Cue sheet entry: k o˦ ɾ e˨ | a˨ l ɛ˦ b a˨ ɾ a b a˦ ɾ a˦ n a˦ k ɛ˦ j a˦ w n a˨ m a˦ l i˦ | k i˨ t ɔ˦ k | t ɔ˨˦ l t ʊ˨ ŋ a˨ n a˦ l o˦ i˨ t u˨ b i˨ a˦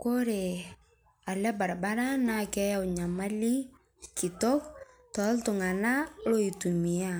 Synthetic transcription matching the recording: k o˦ ɾ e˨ | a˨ l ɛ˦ b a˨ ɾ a b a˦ ɾ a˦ n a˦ k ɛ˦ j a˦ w ɲ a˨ m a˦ l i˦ | k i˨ t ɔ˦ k | t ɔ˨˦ l t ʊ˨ ŋ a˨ n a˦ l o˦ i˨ t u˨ m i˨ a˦